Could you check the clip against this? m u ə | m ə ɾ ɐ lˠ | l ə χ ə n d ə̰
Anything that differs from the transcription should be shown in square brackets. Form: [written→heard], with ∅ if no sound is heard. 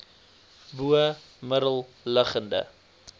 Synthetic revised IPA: [m→b] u ə | m ə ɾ [ɐ→ə] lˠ | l ə χ ə n d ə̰